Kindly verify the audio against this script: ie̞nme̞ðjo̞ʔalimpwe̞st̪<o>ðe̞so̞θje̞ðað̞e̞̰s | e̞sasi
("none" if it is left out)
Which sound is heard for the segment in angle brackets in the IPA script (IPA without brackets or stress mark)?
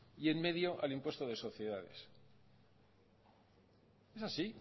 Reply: o